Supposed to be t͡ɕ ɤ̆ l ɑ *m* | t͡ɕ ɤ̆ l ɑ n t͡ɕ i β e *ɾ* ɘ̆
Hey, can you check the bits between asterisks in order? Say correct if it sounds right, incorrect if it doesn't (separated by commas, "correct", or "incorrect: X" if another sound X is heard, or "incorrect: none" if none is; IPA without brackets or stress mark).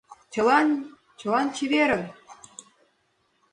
incorrect: n, correct